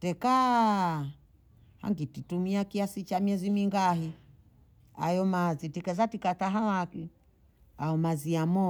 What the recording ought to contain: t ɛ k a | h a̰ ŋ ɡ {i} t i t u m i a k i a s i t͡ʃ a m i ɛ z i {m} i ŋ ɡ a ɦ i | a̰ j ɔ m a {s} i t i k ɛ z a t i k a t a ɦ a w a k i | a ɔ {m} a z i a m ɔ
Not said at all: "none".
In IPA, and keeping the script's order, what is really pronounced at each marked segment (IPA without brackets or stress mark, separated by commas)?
i, m, z, m